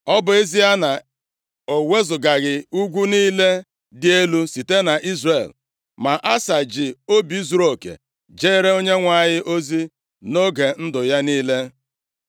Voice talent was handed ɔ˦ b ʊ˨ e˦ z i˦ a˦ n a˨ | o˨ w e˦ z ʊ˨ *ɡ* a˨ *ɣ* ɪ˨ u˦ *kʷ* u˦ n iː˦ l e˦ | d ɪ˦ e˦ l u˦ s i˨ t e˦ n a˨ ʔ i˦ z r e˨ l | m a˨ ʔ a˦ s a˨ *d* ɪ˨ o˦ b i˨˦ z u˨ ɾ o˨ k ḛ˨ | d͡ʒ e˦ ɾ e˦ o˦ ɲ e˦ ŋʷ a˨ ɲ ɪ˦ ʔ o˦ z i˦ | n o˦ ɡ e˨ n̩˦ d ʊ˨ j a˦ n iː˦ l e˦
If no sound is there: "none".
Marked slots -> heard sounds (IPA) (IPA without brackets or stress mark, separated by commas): ɡ, ɣ, ɡʷ, d͡ʒ